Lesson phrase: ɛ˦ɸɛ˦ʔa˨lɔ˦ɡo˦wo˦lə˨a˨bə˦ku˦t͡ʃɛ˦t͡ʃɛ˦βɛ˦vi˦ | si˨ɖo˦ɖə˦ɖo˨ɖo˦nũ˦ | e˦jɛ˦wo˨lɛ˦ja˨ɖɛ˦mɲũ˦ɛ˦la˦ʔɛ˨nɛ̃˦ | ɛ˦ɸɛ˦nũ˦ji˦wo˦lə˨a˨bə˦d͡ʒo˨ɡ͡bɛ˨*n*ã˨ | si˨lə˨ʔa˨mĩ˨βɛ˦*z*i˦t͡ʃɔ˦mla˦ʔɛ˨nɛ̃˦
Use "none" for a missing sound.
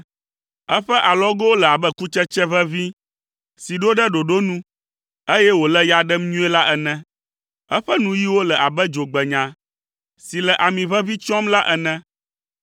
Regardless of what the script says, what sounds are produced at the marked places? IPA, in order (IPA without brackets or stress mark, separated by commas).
ɲ, v